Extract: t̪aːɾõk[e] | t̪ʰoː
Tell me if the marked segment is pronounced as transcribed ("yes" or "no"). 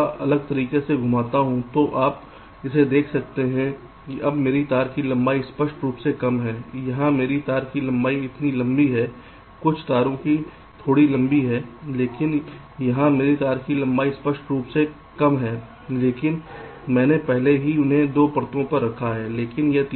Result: no